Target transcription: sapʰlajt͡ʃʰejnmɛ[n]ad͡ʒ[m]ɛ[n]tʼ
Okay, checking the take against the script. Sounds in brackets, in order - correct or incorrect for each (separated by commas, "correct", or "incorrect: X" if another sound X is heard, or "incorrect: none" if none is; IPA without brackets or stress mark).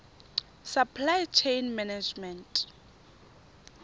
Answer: correct, correct, correct